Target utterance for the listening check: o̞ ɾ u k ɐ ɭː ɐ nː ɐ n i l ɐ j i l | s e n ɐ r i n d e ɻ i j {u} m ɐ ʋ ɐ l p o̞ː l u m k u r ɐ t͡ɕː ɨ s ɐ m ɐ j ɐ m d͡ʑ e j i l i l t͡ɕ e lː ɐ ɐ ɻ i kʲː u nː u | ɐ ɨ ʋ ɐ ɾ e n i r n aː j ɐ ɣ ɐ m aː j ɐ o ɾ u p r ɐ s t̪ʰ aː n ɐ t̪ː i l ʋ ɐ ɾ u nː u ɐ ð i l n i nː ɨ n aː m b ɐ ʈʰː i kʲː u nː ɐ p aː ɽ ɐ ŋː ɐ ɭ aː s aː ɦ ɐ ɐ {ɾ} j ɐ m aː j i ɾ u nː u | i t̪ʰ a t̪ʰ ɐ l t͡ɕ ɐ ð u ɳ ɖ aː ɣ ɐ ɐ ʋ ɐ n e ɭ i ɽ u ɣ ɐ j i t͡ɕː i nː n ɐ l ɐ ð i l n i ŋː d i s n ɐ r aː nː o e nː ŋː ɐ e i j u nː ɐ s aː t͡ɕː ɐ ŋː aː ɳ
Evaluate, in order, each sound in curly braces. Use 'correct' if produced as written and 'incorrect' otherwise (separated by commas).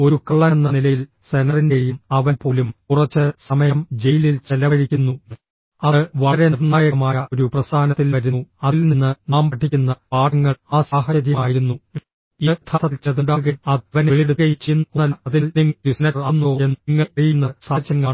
correct, correct